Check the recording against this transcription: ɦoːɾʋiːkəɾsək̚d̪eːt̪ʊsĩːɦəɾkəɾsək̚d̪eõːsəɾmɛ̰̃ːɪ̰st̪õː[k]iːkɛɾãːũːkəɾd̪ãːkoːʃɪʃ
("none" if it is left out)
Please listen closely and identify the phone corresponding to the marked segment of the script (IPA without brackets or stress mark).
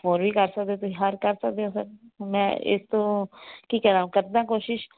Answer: k